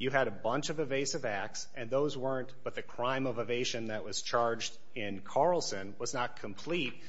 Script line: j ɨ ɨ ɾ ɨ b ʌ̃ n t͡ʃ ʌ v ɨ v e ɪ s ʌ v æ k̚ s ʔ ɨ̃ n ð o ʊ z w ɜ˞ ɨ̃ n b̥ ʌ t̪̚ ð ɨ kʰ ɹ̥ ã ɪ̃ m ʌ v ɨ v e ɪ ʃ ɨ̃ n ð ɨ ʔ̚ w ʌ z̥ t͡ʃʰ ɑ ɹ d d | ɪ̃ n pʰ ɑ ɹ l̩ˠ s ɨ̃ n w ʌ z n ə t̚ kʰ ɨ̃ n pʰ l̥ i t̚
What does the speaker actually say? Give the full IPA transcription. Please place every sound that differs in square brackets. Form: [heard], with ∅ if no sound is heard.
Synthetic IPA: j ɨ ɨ ɾ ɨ b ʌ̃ n t͡ʃ ʌ v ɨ v e ɪ s ʌ v æ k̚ s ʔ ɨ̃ n ð o ʊ z w ɜ˞ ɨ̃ n b̥ ʌ t̪̚ ð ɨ kʰ ɹ̥ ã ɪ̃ m ʌ v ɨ v e ɪ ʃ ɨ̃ n ð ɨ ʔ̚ w ʌ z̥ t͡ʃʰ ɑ ɹ [d͡ʒ] d | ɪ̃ n [kʰ] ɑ ɹ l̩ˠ s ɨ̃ n w ʌ z n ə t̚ kʰ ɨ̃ [m] pʰ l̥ i t̚